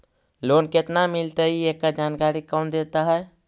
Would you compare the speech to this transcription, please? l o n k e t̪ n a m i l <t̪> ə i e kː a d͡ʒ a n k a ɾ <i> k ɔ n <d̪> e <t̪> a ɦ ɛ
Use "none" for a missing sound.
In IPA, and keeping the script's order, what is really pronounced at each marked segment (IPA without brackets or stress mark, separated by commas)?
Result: t̪, i, d̪, t̪